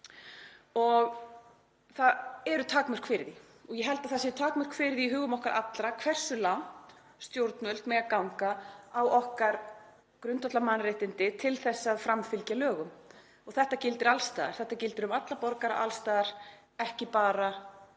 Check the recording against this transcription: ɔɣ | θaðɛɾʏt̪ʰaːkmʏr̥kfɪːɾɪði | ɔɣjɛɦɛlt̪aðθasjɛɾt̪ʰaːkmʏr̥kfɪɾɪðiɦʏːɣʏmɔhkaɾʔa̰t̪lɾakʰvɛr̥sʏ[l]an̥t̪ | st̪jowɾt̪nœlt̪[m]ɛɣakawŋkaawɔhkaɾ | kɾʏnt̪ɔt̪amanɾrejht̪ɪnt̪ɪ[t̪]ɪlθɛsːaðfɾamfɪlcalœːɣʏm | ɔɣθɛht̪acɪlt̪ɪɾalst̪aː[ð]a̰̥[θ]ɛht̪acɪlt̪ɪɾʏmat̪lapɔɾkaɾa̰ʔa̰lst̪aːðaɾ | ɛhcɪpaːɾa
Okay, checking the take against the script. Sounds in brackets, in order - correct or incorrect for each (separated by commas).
correct, correct, incorrect, correct, correct